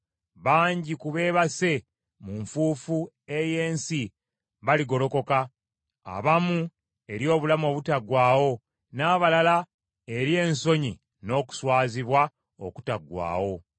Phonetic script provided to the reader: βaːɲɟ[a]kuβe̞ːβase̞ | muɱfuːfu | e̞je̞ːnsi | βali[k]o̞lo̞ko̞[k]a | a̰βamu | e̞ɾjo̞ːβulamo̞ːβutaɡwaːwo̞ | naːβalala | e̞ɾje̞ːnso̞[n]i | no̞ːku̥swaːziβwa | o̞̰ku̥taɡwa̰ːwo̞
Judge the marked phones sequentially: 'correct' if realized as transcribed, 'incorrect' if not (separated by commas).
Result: incorrect, incorrect, correct, incorrect